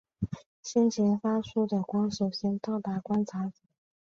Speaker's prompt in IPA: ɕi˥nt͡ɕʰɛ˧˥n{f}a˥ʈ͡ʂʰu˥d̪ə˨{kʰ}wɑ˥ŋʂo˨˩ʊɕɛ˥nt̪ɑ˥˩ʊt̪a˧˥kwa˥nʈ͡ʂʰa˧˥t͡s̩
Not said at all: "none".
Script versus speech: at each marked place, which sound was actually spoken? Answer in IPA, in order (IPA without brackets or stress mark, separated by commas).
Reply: f, k